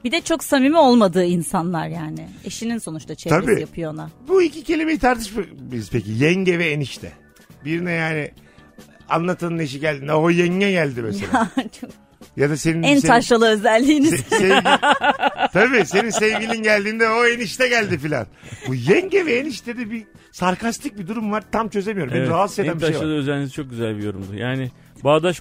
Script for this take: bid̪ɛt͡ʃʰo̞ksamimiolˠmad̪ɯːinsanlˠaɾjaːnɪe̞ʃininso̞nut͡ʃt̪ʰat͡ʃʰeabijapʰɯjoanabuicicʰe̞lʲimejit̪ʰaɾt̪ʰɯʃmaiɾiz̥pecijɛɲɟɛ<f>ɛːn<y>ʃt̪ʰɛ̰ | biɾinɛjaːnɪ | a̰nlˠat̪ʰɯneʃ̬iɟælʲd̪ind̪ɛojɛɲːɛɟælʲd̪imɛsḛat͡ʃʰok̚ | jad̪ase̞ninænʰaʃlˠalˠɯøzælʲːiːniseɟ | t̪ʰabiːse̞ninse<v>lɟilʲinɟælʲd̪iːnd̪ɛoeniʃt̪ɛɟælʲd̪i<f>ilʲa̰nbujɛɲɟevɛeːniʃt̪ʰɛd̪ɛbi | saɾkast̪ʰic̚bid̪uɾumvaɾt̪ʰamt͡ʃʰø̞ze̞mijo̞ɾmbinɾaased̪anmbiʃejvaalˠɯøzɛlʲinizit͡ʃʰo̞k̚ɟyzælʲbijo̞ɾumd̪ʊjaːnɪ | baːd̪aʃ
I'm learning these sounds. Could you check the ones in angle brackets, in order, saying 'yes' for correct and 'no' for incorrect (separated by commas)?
no, no, yes, yes